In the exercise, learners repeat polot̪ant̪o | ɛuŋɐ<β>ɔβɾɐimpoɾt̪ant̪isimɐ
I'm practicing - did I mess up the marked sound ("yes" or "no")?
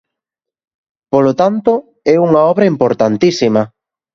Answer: yes